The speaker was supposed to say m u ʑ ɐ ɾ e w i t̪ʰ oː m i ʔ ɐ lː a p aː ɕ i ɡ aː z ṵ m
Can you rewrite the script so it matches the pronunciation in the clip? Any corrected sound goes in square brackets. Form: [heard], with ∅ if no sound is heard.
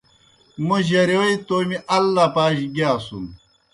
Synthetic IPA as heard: m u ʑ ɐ ɾ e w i [t̪] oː m i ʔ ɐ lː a p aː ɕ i ɡ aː [s] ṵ m